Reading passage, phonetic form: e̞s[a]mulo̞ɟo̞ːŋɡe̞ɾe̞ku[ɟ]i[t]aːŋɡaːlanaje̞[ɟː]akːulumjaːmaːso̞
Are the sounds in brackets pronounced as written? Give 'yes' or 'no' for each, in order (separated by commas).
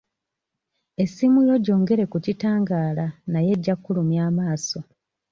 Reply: no, no, yes, yes